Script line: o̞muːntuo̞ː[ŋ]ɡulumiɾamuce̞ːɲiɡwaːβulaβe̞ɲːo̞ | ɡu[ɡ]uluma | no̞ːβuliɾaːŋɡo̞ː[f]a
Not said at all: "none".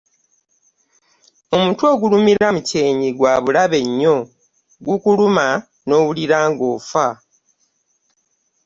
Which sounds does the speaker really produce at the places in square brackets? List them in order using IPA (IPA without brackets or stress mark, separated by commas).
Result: none, k, f